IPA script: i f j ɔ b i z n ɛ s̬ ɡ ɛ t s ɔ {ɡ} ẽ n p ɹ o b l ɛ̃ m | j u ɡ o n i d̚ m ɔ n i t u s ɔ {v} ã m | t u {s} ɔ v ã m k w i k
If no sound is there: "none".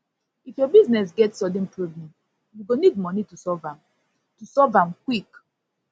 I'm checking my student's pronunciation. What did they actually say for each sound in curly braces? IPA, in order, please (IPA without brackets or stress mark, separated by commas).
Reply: d, v, s